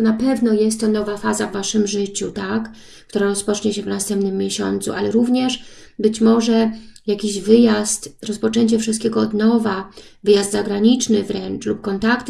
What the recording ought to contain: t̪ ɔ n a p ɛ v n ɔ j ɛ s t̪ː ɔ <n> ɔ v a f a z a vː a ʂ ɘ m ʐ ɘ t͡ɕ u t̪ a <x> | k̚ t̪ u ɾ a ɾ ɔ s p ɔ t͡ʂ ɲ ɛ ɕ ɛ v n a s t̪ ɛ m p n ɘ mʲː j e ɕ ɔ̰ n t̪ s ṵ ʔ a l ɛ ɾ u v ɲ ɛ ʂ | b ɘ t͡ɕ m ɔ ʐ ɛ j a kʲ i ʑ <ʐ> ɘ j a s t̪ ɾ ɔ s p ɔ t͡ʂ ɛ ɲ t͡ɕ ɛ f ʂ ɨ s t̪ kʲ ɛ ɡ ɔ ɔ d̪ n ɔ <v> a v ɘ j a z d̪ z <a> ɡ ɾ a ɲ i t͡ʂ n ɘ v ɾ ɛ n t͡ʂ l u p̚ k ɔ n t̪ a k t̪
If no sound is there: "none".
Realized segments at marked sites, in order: n, k, v, v, a

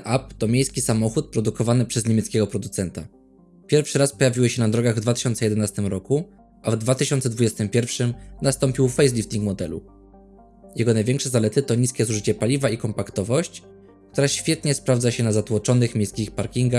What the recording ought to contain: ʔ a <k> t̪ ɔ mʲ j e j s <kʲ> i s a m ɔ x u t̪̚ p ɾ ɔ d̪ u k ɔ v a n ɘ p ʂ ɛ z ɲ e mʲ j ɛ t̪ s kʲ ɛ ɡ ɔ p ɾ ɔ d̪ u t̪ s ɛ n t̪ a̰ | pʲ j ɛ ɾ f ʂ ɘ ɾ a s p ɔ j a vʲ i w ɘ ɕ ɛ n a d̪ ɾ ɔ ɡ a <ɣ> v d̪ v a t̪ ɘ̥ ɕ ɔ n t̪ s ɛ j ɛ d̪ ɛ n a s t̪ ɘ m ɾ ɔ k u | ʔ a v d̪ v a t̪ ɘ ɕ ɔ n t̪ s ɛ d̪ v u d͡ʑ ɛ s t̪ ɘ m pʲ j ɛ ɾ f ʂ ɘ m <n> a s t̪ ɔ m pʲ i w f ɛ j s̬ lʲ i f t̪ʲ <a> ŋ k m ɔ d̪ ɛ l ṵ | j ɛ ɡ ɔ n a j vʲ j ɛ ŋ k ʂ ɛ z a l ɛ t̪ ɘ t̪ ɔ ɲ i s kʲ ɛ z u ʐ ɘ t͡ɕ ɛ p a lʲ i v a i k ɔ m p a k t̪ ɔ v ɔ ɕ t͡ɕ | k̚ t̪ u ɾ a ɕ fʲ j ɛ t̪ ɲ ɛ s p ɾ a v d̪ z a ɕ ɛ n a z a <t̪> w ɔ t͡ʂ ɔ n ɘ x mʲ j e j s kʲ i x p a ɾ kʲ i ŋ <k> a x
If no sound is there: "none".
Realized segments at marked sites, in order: p, kʲ, ɣ, n, i, t̪, ɡ

